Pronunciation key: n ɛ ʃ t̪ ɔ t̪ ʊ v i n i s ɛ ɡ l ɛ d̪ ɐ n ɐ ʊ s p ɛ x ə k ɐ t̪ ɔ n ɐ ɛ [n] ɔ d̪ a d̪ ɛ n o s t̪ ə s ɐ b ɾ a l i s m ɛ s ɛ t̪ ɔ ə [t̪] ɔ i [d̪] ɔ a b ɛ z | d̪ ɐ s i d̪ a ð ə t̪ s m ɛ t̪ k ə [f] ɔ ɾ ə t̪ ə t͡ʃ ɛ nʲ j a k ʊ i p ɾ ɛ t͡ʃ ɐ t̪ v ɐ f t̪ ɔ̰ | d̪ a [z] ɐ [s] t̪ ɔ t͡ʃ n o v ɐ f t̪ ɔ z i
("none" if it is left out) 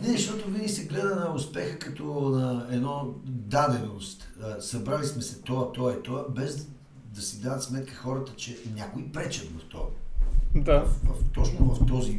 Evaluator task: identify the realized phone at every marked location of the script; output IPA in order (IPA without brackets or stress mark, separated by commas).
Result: n, t̪, t̪, x, v, f